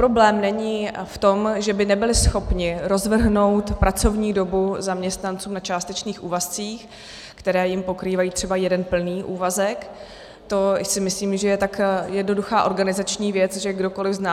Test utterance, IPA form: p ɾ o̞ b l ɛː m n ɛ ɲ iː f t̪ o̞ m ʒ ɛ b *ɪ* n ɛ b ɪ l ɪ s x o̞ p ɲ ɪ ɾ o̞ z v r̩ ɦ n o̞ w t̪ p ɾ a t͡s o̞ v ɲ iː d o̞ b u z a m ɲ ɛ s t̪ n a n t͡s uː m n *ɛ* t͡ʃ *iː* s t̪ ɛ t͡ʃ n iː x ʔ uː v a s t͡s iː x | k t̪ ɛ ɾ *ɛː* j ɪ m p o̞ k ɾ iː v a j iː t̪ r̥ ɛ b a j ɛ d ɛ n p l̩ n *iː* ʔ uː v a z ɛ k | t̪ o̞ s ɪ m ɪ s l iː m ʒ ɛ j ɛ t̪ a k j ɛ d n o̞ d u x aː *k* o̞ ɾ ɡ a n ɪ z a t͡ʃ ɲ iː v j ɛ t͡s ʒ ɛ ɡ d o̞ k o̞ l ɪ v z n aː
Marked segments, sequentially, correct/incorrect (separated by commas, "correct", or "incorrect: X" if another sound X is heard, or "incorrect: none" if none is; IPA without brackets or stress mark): correct, incorrect: a, incorrect: aː, correct, correct, incorrect: ʔ